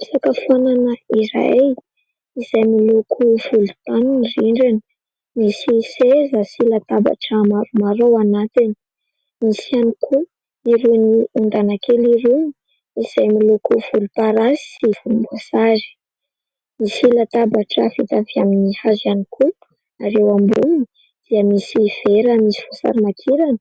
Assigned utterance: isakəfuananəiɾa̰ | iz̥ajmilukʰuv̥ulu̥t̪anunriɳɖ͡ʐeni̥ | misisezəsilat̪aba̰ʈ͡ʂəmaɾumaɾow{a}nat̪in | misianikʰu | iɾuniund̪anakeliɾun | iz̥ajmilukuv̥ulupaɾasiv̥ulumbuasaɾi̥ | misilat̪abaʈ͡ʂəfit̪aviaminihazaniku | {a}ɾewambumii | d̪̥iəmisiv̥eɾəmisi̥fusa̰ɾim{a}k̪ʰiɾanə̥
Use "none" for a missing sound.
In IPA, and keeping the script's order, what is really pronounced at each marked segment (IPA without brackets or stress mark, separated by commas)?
a, a, a